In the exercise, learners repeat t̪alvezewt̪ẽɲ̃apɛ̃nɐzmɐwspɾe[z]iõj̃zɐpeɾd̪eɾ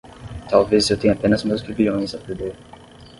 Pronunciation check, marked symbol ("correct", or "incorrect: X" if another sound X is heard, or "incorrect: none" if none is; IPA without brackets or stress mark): incorrect: v